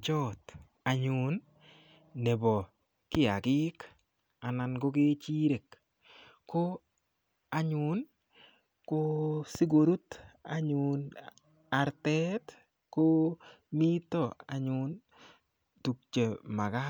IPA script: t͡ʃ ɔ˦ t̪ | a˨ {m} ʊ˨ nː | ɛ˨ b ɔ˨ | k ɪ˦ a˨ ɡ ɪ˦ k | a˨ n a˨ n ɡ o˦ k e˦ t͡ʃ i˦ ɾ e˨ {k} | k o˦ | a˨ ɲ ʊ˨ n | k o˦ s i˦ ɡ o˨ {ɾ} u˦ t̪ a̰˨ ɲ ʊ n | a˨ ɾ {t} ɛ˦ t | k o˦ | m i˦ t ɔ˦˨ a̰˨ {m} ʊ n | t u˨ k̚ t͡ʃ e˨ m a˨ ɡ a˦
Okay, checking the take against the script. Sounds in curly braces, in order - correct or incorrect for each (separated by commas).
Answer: incorrect, correct, correct, correct, incorrect